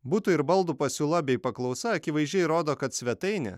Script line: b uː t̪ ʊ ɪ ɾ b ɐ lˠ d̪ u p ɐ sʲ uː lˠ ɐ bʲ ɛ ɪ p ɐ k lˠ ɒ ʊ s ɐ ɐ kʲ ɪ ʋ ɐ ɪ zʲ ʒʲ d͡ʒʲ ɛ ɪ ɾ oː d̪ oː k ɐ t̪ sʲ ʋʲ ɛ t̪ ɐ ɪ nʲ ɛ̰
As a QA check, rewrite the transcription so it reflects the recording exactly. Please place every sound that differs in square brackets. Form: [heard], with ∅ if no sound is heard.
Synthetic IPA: b uː t̪ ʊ ɪ ɾ b ɐ lˠ d̪ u p ɐ sʲ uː lˠ ɐ bʲ ɛ ɪ p ɐ k lˠ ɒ ʊ s ɐ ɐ kʲ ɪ ʋ ɐ ɪ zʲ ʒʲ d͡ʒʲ ɛ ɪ ɾ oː d̪ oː k ɐ t̪ sʲ ʋʲ ɛ t̪ ɐ ɪ nʲ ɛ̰